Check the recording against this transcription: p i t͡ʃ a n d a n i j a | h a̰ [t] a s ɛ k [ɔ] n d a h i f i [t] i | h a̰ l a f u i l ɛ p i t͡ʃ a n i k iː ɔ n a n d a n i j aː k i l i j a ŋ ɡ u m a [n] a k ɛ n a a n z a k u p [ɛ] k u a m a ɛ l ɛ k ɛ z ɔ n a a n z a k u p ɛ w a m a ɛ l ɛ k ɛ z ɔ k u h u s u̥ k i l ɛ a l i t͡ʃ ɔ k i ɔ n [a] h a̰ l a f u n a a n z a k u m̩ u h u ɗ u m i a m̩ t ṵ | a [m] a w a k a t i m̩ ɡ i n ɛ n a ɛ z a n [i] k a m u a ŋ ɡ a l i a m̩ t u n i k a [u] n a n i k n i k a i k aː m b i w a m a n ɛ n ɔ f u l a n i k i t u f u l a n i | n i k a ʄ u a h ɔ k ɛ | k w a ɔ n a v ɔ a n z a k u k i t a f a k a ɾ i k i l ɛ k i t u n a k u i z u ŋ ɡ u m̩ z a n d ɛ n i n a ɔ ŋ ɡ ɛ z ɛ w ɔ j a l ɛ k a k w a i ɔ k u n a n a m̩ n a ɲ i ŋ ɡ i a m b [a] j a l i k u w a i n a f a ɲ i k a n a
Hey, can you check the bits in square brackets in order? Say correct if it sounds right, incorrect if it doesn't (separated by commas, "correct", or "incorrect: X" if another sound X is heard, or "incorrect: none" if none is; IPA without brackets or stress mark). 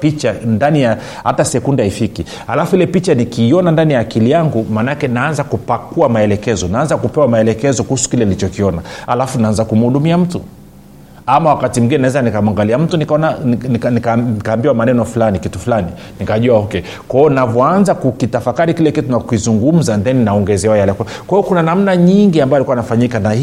correct, incorrect: u, incorrect: k, correct, incorrect: a, correct, correct, correct, incorrect: ɔ, correct